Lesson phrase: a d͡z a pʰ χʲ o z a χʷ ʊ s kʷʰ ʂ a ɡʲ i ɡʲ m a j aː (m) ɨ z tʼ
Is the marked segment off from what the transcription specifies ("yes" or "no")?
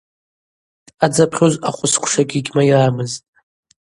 no